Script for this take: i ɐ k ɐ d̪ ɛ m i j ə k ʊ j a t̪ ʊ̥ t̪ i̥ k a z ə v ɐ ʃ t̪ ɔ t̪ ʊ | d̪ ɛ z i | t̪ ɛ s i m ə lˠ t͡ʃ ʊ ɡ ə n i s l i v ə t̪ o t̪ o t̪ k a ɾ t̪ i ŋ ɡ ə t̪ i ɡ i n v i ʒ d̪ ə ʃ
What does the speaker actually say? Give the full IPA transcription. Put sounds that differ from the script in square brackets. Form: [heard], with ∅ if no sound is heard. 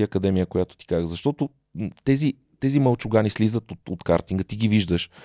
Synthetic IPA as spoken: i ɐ k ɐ d̪ ɛ m i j ə k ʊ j a t̪ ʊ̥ t̪ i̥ k a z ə [z] ɐ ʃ t̪ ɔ t̪ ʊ | [t̪] ɛ z i | t̪ ɛ [z] i m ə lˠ t͡ʃ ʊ ɡ [a] n i s l i [z] ə t̪ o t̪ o t̪ k a ɾ t̪ i ŋ ɡ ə t̪ i ɡ i [∅] v i ʒ d̪ ə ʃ